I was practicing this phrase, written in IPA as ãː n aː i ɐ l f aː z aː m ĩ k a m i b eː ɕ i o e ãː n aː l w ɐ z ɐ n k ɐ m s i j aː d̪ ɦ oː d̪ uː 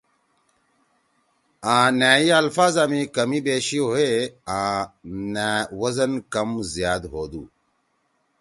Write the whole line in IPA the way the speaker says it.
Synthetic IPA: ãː n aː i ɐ l f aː z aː m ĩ k ɐ m i b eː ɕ i o e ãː n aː w ɐ z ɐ n k ɐ m z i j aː d̪ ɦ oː d̪ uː